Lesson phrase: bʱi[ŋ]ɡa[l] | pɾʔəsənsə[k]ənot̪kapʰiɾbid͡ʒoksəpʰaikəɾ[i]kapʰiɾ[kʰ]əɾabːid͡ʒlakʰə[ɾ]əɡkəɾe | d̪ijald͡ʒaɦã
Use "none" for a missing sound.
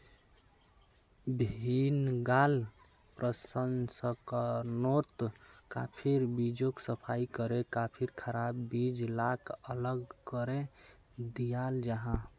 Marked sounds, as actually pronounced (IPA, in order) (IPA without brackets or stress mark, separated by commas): n, l, k, e, kʰ, l